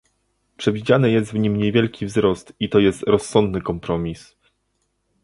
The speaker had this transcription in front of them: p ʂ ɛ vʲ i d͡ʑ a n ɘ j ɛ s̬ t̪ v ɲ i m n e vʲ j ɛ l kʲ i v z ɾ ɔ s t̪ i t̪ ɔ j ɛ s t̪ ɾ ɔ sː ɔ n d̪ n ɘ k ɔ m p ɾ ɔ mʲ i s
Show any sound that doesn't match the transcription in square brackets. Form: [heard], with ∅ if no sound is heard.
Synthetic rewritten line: p ʂ ɛ vʲ i d͡ʑ a n ɘ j ɛ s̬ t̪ v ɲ i m [ɲ] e vʲ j ɛ l kʲ i v z ɾ ɔ s t̪ i t̪ ɔ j ɛ s t̪ ɾ ɔ sː ɔ n d̪ n ɘ k ɔ m p ɾ ɔ mʲ i s